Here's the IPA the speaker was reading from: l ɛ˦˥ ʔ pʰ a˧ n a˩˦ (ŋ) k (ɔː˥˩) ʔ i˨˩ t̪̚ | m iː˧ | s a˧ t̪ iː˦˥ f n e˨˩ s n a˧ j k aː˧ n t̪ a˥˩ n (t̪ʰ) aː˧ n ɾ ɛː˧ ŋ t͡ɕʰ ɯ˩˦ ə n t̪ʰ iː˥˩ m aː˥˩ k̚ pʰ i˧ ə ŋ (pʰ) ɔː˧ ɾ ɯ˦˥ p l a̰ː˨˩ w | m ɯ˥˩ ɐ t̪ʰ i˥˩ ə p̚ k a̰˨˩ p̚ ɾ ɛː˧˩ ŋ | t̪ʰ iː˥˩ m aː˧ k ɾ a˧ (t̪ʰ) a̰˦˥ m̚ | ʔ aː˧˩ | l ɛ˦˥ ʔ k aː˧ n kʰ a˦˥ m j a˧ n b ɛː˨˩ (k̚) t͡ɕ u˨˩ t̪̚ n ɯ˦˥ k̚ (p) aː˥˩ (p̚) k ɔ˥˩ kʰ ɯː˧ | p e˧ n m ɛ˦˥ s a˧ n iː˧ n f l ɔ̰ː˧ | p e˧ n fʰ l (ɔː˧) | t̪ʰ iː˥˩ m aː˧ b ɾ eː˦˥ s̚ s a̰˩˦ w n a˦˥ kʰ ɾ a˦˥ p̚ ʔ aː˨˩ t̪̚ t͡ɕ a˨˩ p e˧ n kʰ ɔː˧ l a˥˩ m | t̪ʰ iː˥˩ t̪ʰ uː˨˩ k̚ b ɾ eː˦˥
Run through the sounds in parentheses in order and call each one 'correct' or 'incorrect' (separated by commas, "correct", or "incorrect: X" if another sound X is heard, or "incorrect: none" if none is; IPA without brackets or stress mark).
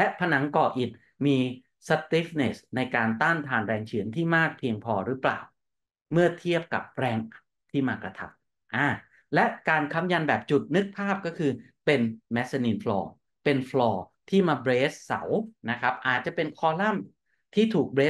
correct, incorrect: ɔː˧˩, correct, correct, correct, incorrect: p̚, incorrect: pʰ, correct, correct